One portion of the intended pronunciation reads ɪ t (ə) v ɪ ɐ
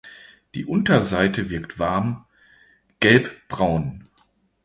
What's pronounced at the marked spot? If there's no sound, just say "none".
ə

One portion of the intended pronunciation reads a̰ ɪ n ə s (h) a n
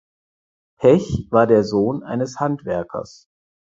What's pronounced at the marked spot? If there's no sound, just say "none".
h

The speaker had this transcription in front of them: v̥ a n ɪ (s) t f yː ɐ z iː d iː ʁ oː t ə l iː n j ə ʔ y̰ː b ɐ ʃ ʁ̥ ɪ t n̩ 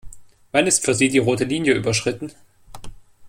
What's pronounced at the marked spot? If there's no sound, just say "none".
s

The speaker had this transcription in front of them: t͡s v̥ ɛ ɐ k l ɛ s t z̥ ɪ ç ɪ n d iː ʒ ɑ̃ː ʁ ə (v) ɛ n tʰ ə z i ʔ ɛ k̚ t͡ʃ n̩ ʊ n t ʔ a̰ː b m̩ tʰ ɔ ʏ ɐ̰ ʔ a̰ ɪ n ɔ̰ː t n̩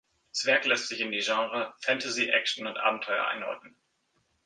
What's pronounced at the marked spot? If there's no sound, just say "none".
f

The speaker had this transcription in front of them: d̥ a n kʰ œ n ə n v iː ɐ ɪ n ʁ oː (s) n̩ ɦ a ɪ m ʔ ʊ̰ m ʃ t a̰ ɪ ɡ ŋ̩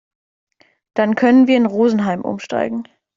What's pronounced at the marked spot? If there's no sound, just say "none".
z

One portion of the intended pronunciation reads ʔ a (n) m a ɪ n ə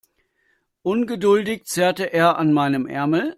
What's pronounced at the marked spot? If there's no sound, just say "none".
n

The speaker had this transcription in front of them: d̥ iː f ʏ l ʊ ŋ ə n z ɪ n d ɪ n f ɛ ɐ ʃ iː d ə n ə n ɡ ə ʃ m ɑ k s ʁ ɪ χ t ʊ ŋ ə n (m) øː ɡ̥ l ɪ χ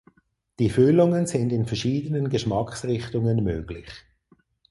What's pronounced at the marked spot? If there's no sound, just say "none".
m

